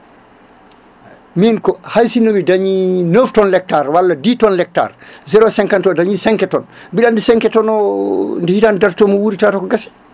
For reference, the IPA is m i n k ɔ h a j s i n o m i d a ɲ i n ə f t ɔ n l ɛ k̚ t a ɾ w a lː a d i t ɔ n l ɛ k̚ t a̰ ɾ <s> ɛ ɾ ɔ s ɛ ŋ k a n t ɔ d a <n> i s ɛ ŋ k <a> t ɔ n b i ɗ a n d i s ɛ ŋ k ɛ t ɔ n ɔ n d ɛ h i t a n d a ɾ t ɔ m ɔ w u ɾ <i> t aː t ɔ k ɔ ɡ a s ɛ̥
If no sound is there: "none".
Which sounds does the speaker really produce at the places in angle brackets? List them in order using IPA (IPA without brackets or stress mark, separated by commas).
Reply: z, ɲ, ɛ, i